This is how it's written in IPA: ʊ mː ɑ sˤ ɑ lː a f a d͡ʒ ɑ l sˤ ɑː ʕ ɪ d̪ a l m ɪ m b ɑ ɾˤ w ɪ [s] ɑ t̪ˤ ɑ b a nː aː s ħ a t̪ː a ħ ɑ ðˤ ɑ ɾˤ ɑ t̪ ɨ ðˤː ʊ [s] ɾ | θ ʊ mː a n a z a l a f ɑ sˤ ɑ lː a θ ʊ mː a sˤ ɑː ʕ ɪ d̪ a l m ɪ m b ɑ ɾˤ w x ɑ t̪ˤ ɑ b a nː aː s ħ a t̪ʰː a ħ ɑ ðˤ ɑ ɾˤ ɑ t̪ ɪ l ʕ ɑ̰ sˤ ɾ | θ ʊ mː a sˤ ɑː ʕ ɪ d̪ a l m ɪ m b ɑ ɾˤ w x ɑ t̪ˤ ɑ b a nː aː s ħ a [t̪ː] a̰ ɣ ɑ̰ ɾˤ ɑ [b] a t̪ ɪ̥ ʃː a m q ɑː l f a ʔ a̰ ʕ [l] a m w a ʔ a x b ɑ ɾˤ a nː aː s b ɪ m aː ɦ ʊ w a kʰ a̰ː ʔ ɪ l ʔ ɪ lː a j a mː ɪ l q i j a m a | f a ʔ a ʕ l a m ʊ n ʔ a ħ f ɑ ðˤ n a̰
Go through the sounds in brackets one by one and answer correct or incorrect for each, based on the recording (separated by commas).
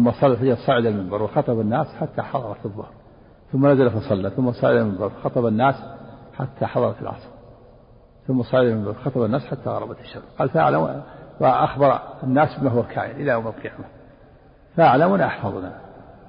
incorrect, incorrect, correct, correct, correct